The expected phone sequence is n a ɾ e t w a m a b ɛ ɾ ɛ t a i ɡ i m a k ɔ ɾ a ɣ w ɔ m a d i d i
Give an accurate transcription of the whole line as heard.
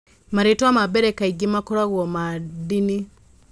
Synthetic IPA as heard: m a ɾ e t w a m a b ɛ ɾ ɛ k a i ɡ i m a k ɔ ɾ a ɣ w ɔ m a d i n i